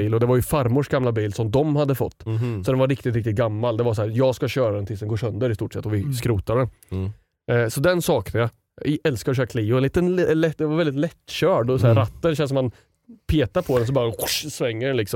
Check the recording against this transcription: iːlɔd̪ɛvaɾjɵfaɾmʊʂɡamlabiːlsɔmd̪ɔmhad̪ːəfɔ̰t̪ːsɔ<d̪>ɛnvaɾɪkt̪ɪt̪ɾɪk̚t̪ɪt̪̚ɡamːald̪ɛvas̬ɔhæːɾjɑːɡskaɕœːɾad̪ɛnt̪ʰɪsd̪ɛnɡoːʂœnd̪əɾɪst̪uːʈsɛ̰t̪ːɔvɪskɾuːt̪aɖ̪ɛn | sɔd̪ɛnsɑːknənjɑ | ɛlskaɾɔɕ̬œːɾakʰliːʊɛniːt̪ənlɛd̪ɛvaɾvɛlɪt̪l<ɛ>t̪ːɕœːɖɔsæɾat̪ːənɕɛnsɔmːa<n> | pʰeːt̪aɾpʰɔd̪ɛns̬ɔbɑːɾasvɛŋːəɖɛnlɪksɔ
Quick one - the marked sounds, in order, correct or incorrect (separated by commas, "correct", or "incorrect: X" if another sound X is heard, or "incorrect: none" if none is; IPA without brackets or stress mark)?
correct, correct, correct